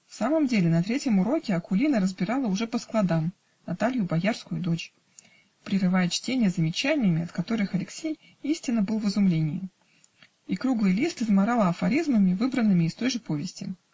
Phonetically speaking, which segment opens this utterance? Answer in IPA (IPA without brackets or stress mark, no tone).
f